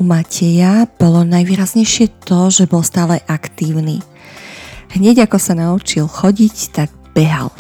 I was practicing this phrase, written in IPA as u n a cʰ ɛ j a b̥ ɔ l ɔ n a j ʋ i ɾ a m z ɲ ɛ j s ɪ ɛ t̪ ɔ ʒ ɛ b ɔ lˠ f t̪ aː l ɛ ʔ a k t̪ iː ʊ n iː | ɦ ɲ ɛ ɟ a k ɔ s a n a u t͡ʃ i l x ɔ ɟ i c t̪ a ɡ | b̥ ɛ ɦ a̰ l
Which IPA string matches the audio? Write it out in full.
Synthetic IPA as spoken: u m a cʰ ɛ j a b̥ ɔ l ɔ n a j ʋ iː ɾ a z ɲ ɛ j ʃ ɪ ɛ t̪ ɔ ʒ ɛ b ɔ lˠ s t̪ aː l ɛ ʔ a k t̪ iː ʊ n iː | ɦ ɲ ɛ ɟ a k ɔ s a n a u t͡ʃ i l x ɔ ɟ i c t̪ a ɡ | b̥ ɛ ɦ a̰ l